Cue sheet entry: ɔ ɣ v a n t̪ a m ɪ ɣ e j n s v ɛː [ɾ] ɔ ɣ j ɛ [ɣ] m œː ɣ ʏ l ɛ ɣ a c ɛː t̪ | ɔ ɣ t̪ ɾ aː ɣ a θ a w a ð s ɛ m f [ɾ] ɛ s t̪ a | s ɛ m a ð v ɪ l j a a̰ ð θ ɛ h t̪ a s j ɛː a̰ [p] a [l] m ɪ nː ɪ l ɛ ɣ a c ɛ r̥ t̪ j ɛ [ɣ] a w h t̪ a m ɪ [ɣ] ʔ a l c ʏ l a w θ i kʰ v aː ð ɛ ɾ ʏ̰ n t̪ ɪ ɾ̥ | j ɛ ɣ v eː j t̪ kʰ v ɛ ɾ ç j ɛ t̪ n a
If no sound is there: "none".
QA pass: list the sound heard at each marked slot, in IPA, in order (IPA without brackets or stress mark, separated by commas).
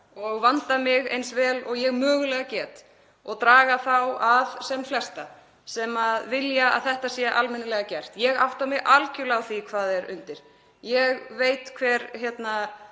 l, ɣ, l, ʔ, l, ɣ, ɣ